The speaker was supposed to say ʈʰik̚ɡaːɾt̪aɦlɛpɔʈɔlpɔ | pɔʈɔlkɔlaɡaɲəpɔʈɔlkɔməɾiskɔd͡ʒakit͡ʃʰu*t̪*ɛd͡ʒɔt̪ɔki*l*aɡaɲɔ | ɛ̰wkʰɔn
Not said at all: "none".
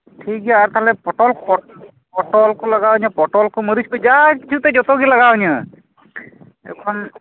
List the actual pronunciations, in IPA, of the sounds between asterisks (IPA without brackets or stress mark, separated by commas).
t̪, l